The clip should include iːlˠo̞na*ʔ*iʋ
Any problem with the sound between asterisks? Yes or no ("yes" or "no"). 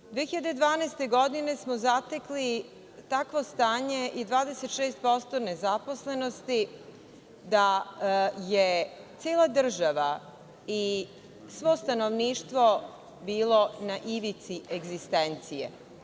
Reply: no